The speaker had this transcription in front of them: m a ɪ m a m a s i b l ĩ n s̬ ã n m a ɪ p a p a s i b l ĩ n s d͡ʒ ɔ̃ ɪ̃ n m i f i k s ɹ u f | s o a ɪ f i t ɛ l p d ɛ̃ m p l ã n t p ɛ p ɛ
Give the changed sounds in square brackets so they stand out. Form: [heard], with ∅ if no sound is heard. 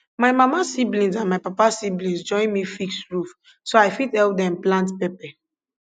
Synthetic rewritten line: m a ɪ m a m a s i b l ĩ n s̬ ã n m a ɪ p a p a s i b l ĩ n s d͡ʒ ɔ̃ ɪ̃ n m i f i k s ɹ u f | s o a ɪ f i t ɛ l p d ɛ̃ m p l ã n t p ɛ p ɛ